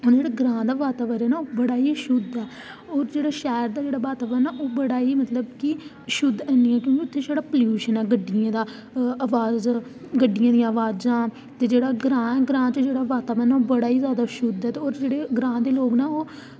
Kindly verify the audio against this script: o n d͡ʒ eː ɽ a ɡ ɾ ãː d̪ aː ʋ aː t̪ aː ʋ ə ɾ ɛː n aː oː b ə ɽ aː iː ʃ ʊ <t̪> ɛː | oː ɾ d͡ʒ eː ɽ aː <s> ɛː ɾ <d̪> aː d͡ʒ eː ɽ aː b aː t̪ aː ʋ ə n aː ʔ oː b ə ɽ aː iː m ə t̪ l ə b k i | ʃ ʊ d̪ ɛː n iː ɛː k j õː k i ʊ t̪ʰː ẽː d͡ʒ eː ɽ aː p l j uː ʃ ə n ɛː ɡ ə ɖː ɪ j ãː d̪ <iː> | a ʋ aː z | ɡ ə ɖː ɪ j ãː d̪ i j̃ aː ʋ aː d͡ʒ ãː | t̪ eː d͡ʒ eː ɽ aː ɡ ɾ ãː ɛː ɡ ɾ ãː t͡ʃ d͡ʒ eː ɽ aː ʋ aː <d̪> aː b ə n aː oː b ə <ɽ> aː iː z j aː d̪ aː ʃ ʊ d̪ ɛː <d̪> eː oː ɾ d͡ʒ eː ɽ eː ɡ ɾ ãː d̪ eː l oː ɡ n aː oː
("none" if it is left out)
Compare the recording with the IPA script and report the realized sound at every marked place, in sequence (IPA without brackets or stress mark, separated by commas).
d̪, ʃ, d̪, aː, t̪, ɽ, t̪